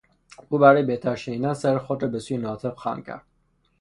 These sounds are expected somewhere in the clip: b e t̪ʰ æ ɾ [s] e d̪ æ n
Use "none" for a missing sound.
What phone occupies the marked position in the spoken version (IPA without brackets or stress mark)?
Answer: ʃ